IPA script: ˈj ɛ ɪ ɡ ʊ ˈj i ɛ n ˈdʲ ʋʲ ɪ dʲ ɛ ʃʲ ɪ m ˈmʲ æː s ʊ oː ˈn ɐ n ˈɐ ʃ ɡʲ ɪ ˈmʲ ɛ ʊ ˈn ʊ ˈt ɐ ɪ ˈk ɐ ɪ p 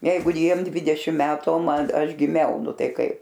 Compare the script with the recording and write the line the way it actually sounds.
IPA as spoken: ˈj ɛ ɪ ɡ ʊ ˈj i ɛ m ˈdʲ ʋʲ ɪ dʲ ɛ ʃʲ ɪ m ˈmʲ æː t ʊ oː ˈm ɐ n ˈɐ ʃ ɡʲ ɪ ˈmʲ ɛ ʊ ˈn ʊ ˈt ɐ ɪ ˈk ɐ ɪ p